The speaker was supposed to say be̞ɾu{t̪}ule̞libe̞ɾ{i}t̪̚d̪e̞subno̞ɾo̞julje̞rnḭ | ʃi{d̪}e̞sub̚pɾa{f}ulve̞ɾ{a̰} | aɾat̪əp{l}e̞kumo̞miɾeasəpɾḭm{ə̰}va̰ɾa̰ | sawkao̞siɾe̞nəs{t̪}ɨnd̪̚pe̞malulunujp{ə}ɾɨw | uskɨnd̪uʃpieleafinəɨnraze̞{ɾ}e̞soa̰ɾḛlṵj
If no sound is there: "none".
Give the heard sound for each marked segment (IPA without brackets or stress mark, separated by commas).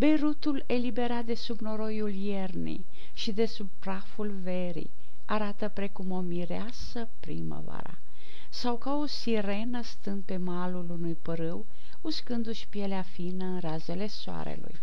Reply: t̪, a, d̪, f, ḭ, ɾ, ə̰, t̪, ə, l